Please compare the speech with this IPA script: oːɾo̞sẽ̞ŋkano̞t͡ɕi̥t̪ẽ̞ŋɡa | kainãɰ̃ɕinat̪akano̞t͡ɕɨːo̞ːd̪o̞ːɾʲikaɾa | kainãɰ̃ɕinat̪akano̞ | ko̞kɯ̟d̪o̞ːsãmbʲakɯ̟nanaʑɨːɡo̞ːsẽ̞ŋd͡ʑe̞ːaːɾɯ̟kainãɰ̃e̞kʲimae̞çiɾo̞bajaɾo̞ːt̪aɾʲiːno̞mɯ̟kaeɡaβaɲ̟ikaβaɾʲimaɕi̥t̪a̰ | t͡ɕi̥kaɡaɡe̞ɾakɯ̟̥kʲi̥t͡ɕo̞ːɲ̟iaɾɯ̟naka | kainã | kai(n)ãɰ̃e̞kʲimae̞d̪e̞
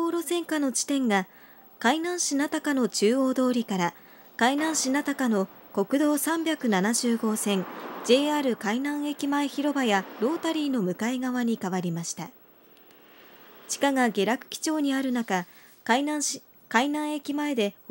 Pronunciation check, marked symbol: correct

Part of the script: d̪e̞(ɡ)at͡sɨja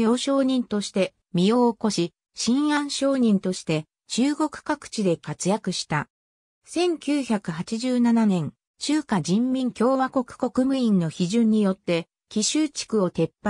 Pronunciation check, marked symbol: incorrect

